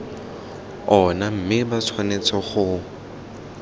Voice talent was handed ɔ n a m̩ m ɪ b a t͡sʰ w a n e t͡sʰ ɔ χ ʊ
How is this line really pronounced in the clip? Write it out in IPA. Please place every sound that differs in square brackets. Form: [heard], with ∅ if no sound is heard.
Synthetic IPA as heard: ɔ n a m̩ m ɪ b a t͡sʰ w a n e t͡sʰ ɔ χ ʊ